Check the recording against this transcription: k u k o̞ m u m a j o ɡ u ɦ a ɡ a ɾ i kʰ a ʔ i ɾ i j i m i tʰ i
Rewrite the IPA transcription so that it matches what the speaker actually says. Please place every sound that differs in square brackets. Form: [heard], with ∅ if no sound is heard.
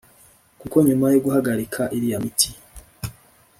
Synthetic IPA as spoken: k u k o̞ [ɲ] u m a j o ɡ u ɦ a ɡ a ɾ i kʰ a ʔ i ɾ i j [a] m i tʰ i

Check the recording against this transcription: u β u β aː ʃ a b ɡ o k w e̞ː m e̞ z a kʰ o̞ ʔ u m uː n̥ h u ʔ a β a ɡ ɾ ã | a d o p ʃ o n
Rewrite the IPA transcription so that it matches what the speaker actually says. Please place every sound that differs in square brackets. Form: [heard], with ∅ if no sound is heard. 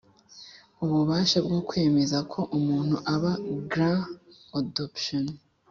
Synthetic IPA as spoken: u β u β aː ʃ a b ɡ o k w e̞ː m e̞ z a kʰ o̞ ʔ u m uː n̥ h u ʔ a β a ɡ ɾ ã | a d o p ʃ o n

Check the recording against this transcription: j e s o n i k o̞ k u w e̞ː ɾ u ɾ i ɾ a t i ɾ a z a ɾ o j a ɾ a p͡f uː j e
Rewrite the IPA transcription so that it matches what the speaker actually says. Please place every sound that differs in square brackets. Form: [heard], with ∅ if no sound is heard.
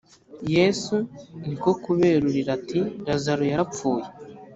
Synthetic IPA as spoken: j e s [u] n i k o̞ k u [β] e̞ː ɾ u ɾ i ɾ a t i ɾ a z a ɾ o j a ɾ a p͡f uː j e

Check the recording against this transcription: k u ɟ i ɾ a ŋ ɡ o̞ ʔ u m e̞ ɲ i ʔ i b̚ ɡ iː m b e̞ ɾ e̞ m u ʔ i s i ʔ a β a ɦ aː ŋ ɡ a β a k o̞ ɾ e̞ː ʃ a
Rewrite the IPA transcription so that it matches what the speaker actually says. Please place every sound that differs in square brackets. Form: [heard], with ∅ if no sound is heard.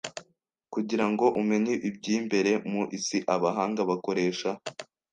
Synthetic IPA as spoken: k u ɟ i ɾ a ŋ ɡ o̞ ʔ u m e̞ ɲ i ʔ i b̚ [ɟ] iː m b e̞ ɾ e̞ m u ʔ i s i ʔ a β a ɦ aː ŋ ɡ a β a k o̞ ɾ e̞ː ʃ a

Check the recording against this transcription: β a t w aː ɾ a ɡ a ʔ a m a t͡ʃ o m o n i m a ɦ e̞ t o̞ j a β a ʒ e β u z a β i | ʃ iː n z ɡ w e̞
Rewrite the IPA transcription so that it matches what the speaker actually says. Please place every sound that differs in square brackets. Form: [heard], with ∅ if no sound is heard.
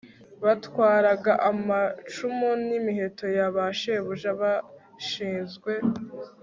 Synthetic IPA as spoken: β a t w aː ɾ a ɡ a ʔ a m a t͡ʃ [u] m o n i m [i] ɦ e̞ t o̞ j a β a [ʃ] e β u [ʒ] a β [a] | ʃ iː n z ɡ w e̞

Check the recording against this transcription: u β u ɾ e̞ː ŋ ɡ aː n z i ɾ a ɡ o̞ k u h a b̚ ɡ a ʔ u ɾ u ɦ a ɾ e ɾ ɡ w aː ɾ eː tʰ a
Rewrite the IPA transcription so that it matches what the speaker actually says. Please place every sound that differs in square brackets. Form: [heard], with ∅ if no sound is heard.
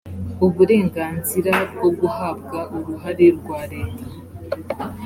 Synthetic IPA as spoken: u β u ɾ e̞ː ŋ ɡ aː n z i ɾ a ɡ o̞ [ɡ] u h a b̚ ɡ a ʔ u ɾ u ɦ a ɾ e ɾ ɡ w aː ɾ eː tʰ a

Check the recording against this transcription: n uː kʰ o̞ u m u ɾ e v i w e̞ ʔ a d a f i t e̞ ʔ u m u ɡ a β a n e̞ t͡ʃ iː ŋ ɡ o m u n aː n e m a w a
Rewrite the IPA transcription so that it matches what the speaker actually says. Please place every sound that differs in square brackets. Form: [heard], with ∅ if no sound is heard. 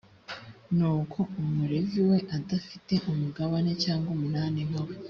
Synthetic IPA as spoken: n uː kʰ o̞ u m u ɾ e v i w e̞ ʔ a d a f i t e̞ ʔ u m u ɡ a β a n e̞ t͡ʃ [aː] ŋ ɡ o m u n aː n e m a w [e]

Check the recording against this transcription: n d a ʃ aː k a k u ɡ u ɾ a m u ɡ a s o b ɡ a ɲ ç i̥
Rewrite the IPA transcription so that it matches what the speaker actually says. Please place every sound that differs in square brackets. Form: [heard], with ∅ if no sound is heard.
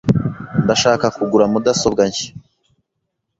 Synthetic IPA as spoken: n d a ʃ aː k a k u ɡ u ɾ a m u [d] a s o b ɡ a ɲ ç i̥

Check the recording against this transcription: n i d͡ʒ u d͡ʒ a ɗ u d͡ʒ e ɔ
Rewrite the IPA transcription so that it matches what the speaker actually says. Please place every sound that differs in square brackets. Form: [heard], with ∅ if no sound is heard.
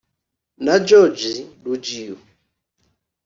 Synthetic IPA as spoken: n [a] d͡ʒ [ɔ] d͡ʒ [i] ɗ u d͡ʒ [i] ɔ

